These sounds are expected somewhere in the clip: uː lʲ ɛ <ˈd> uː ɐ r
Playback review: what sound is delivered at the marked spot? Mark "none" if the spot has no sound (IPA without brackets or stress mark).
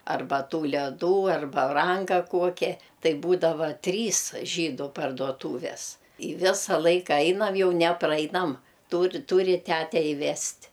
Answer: d